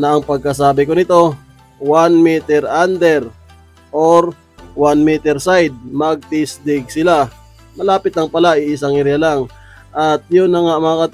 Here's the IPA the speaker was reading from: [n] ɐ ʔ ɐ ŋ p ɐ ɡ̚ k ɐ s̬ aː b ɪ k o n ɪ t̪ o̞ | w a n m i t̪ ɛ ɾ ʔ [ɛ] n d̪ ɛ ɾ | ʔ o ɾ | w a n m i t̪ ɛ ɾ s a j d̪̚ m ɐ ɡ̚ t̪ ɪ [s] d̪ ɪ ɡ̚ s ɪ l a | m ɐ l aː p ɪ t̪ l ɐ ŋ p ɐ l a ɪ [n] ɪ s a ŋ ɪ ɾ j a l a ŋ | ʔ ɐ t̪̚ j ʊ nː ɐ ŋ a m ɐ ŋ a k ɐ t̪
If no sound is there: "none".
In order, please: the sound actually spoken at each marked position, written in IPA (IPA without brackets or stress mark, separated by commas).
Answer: n, a, s, none